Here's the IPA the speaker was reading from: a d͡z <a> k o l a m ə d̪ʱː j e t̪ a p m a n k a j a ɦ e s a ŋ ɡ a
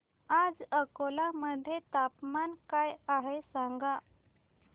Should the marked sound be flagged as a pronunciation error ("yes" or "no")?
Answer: yes